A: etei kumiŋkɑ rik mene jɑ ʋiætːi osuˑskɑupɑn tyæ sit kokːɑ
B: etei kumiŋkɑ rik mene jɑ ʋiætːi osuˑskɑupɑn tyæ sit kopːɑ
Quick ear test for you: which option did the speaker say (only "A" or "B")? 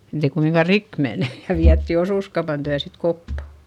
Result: B